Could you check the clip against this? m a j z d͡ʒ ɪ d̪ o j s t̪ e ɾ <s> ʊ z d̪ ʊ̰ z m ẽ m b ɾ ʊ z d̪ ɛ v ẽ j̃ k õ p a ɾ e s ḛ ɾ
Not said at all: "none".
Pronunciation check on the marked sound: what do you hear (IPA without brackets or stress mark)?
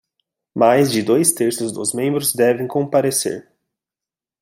s